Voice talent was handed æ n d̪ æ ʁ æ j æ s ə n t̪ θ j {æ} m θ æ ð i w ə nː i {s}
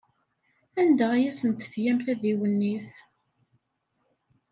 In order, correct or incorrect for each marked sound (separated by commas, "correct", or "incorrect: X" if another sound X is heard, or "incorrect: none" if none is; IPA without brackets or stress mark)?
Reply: correct, incorrect: θ